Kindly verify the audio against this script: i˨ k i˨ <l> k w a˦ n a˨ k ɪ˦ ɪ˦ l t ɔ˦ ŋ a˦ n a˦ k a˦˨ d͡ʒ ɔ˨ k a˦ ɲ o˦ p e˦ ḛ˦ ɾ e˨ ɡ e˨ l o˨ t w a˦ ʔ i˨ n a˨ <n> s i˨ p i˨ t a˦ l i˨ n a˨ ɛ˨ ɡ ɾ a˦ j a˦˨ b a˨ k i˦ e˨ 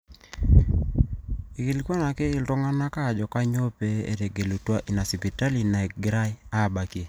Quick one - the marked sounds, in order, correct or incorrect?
correct, incorrect: none

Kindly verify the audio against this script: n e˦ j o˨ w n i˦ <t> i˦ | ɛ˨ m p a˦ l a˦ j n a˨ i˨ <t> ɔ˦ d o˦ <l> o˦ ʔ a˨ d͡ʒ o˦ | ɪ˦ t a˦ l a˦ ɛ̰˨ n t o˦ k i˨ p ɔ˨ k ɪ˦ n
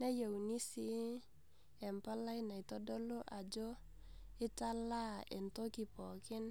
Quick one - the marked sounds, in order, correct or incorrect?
incorrect: s, correct, correct

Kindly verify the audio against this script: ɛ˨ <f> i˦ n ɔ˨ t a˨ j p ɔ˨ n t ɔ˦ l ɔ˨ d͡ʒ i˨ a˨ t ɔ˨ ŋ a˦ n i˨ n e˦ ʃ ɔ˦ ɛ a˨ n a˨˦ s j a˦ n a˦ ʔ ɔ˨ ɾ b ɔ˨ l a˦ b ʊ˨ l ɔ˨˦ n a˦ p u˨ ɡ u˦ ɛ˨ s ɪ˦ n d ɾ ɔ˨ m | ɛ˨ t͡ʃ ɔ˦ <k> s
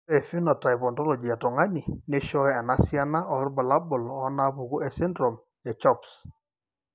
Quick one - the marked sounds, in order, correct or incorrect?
correct, incorrect: p

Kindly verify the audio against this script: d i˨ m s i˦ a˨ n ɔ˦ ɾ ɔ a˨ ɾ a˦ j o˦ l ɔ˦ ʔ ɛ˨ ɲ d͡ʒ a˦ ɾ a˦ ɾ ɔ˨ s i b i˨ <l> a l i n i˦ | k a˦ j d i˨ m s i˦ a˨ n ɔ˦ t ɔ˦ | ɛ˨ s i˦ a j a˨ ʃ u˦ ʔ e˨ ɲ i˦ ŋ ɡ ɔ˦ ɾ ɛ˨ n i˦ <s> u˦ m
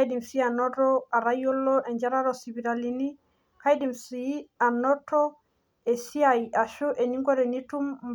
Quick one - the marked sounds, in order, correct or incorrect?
incorrect: ɾ, incorrect: t

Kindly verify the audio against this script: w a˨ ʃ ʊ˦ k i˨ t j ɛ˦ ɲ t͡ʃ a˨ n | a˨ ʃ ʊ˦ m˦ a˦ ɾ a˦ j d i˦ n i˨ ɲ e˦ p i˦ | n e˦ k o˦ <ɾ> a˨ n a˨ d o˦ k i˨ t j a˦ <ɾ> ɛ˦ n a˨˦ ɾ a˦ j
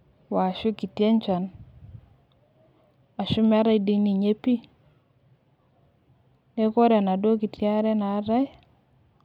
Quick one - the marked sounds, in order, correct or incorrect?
correct, correct

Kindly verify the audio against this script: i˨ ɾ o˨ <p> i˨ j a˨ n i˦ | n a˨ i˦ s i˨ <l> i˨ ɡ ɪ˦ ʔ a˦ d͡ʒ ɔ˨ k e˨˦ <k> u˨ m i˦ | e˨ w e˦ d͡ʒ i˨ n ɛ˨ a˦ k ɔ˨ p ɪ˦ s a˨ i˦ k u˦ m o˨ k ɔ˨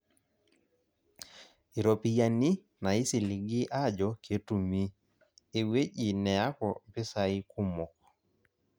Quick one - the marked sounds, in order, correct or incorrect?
correct, correct, incorrect: t

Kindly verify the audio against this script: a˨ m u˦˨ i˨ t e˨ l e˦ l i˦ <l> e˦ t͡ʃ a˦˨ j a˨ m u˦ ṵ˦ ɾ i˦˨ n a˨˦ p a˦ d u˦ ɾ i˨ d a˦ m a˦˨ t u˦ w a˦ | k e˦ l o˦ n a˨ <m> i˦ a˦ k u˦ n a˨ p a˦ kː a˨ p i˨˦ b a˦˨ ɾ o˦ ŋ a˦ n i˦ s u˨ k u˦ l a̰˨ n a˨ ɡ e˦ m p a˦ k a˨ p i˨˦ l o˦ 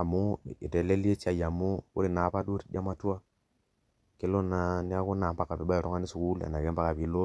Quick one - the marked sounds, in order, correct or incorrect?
incorrect: none, incorrect: n

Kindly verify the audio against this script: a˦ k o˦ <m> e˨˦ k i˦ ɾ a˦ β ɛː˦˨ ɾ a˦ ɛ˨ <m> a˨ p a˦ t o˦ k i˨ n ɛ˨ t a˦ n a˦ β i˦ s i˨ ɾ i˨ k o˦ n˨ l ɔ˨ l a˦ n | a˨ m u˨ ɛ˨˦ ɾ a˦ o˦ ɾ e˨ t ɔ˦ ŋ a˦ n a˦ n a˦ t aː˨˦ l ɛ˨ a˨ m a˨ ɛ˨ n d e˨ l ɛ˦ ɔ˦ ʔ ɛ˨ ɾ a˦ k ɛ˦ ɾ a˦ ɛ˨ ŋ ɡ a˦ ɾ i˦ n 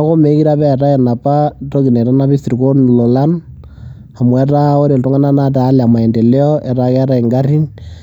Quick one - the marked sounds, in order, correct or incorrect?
correct, incorrect: n

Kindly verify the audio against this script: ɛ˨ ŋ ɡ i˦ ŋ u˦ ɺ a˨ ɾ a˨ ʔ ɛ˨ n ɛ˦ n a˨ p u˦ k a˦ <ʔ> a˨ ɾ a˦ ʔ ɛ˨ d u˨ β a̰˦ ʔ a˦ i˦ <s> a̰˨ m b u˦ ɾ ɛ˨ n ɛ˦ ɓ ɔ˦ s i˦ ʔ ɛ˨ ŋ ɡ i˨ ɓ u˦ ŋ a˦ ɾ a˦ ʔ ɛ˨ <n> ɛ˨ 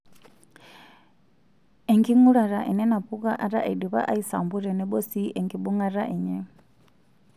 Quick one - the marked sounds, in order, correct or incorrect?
correct, correct, incorrect: ɲ

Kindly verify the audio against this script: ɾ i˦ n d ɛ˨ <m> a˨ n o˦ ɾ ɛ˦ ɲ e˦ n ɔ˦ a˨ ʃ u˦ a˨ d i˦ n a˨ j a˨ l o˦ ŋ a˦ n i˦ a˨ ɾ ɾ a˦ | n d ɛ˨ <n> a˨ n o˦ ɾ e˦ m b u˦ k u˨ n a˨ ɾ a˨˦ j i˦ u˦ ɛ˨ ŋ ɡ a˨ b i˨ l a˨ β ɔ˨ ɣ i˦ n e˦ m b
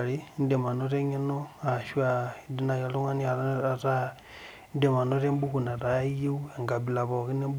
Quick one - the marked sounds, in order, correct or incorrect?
correct, incorrect: m

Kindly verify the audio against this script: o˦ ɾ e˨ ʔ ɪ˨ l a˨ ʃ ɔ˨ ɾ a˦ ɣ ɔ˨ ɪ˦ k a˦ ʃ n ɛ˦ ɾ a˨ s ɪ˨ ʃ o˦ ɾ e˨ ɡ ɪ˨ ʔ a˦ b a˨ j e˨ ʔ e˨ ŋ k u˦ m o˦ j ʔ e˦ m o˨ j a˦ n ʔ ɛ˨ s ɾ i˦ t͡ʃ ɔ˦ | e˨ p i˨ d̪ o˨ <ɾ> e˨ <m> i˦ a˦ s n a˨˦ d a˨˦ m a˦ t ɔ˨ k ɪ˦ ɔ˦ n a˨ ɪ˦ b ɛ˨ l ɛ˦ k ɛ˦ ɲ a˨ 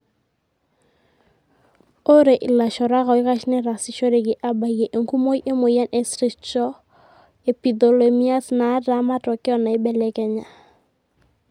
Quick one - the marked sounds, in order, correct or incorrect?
incorrect: l, correct

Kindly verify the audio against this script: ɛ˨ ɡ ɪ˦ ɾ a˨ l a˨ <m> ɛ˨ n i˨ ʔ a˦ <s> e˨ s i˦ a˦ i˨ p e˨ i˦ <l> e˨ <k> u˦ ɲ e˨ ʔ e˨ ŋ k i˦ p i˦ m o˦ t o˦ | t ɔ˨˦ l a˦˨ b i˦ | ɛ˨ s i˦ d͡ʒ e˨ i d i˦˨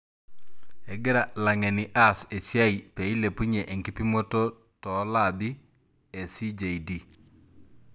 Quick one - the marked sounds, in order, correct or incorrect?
incorrect: ŋ, correct, correct, incorrect: p

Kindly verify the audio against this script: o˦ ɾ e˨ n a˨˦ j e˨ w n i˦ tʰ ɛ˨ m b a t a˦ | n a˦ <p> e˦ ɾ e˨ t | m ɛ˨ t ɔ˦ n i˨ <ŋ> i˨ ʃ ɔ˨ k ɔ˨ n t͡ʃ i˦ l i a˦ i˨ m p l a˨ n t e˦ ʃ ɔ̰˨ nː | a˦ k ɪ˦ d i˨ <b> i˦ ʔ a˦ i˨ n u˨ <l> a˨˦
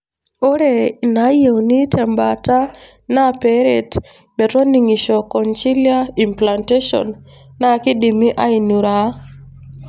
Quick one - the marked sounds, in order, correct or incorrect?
correct, correct, incorrect: m, incorrect: ɾ

